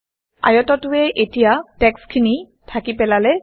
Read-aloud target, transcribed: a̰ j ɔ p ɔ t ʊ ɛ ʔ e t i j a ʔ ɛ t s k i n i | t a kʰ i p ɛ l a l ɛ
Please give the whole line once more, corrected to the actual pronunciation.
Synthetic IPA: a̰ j ɔ t ɔ t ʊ ɛ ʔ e t i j a t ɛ k s kʰ i n i | tʰ a k i p ɛ l a l ɛ